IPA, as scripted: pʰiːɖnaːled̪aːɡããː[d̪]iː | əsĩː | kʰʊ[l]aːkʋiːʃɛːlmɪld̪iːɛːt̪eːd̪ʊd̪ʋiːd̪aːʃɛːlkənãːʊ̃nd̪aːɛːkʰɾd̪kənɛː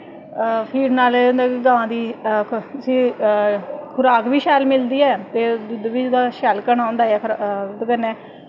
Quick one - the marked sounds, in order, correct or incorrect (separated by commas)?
correct, incorrect